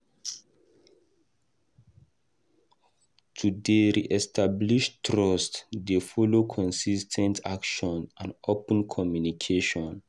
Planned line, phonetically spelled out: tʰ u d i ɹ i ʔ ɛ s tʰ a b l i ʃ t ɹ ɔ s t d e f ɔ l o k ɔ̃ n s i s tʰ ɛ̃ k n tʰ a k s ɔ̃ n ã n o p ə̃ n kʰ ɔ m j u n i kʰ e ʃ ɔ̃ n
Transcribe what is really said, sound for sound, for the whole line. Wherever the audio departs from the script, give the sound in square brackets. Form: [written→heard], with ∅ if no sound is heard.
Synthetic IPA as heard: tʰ u d [i→e] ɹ i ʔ ɛ s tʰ a b l i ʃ t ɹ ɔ s t d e f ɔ l o [k→kʰ] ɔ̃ n s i s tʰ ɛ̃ [k→∅] n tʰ a k [s→ʃ] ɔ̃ n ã n o p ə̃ n kʰ ɔ m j u n i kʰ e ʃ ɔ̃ n

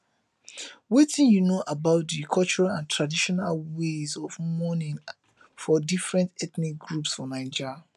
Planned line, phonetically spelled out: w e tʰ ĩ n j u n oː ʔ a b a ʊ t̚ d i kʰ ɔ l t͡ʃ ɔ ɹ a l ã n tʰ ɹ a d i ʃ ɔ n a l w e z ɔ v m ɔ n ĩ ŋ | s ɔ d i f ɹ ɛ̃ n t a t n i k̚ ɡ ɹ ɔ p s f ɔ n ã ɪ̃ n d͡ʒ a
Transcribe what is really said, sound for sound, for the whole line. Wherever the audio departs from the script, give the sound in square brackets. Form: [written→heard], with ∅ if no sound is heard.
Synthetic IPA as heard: w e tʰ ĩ n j u n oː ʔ a b a ʊ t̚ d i kʰ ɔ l t͡ʃ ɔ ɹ a l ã n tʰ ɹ a d i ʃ ɔ n a l w e z ɔ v m ɔ n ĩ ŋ | [s→f] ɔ d i f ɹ ɛ̃ n t [a→ɛ] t n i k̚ ɡ ɹ [ɔ→u] p s f ɔ n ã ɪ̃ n d͡ʒ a

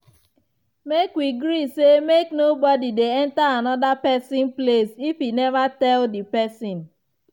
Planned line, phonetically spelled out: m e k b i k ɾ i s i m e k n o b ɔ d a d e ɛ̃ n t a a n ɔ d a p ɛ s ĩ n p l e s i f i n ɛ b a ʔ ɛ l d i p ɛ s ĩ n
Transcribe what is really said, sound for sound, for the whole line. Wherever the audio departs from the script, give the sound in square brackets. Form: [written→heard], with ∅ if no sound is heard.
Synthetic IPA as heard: m e k [b→w] i [k→ɡ] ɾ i s [i→e] m e k n o b ɔ d [a→i] d e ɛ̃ n t a a n ɔ d a p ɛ s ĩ n p l e s i f i n ɛ [b→v] a [ʔ→t] ɛ l d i p ɛ s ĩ n

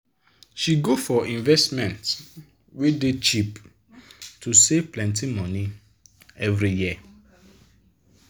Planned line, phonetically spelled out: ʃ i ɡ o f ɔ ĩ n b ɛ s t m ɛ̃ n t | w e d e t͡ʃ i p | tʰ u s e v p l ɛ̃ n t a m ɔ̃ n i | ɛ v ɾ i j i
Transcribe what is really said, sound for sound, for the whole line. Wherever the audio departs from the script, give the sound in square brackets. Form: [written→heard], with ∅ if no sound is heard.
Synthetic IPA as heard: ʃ i ɡ o f ɔ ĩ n [b→v] ɛ s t m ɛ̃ n t | w e d e t͡ʃ i p | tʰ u s e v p l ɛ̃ n t [a→i] m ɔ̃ n i | ɛ v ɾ i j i

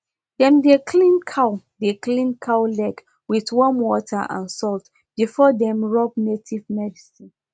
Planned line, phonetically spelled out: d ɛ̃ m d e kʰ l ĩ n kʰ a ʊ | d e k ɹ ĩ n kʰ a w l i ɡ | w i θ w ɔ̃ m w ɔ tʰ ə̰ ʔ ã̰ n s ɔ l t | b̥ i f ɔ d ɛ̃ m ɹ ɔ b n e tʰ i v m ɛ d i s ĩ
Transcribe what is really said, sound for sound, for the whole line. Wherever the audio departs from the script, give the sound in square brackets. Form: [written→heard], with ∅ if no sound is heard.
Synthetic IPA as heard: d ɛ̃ m d e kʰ l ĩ n kʰ a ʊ | d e k [ɹ→l] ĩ n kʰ a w l [i→ɛ] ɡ | w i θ w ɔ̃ m w ɔ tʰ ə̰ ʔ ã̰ n s ɔ l t | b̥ i f ɔ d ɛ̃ m ɹ ɔ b n e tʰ i v m ɛ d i s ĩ

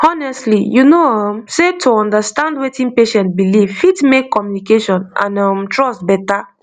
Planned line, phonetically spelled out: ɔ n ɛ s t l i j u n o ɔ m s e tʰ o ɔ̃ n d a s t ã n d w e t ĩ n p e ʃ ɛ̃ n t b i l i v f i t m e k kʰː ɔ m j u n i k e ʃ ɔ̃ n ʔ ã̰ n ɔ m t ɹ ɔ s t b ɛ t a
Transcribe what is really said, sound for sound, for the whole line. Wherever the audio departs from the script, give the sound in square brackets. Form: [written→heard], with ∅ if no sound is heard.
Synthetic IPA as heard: ɔ n ɛ s t l i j u n o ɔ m s e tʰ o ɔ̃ n d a s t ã n d w e t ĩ n p e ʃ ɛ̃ n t b i l i v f i t m e k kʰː ɔ m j u n i k e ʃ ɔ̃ n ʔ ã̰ n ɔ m t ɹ ɔ s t b ɛ t a

